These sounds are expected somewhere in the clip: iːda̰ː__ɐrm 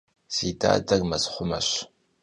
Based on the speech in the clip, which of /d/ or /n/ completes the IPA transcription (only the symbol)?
d